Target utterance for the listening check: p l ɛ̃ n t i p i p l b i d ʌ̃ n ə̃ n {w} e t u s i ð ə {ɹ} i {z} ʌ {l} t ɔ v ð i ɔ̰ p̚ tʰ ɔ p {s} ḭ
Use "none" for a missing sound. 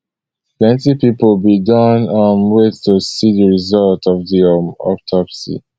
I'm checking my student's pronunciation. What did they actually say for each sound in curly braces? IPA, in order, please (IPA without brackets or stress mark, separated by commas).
w, ɹ, z, l, s